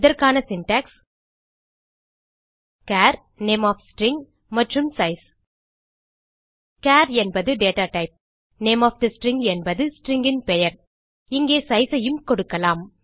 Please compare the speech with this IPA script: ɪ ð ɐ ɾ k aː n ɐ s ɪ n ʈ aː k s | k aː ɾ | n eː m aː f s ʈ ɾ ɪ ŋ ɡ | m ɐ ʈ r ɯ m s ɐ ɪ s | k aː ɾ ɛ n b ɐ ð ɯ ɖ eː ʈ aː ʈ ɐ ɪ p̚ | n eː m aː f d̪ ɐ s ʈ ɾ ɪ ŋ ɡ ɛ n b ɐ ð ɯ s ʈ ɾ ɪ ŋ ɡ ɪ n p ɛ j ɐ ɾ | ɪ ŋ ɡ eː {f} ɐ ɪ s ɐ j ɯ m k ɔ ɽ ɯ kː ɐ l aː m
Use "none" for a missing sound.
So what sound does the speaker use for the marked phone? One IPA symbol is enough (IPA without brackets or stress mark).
s